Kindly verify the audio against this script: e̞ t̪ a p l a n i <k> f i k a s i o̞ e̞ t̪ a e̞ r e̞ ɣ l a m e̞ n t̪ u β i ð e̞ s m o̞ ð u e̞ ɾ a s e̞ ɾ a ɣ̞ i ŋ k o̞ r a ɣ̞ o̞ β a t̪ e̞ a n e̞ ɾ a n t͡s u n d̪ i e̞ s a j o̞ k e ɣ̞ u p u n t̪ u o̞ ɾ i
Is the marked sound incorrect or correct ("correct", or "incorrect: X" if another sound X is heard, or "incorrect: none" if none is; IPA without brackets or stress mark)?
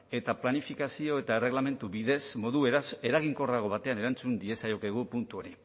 incorrect: none